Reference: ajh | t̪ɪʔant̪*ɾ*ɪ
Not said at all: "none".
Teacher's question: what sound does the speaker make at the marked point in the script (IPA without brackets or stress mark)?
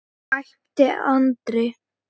ɾ